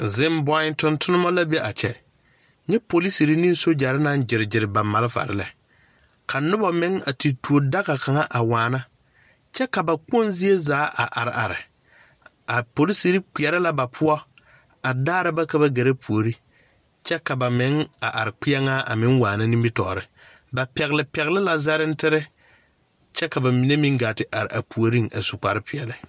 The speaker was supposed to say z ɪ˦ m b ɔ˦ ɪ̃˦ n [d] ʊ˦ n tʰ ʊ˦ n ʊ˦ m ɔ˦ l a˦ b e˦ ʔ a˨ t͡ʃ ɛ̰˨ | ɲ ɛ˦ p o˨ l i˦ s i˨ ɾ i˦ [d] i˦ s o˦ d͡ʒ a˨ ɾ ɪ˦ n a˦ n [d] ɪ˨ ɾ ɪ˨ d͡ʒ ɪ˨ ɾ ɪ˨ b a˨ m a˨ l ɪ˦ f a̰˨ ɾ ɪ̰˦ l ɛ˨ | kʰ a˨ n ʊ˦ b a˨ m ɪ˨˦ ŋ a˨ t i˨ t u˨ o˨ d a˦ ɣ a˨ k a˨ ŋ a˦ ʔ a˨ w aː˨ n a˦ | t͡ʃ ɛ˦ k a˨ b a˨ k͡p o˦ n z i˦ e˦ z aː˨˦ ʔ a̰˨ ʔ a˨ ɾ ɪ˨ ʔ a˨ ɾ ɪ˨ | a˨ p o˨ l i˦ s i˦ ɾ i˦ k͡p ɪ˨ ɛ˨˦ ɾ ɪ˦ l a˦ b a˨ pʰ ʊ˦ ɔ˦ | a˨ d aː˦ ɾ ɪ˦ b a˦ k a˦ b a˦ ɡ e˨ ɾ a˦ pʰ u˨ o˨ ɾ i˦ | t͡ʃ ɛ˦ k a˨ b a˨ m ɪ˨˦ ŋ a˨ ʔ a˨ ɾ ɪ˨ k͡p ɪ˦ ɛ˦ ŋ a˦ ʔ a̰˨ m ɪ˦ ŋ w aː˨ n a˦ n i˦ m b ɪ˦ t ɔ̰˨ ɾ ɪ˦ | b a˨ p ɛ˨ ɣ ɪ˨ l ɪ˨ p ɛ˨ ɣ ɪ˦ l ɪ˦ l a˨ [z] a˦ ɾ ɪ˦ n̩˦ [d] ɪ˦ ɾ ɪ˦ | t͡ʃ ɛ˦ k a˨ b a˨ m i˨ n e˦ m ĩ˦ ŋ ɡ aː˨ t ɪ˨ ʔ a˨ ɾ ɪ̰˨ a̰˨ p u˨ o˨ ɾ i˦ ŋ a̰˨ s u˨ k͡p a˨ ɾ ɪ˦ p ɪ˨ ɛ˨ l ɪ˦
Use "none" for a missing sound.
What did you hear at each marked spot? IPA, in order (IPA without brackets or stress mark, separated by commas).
t, n, d͡ʒ, z, t